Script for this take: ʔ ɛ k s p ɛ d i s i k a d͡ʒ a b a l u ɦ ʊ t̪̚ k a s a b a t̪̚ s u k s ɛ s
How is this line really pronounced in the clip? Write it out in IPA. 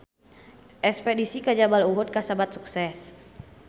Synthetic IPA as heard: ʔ ɛ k s p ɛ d i s i k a d͡ʒ a b a l u ɦ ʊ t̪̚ k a s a b a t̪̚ s u k s ɛ s